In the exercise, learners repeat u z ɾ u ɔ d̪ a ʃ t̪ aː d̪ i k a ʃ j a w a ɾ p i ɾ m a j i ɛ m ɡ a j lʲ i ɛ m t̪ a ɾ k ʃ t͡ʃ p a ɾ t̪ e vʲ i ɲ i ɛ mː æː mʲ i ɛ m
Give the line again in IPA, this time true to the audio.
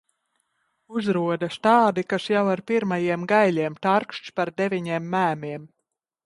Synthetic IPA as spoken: u z ɾ u ɔ d̪ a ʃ t̪ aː d̪ i k a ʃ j a w a ɾ p i ɾ m a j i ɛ m ɡ a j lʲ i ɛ m t̪ a ɾ k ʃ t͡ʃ p a ɾ d̪ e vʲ i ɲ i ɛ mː æː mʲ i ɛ m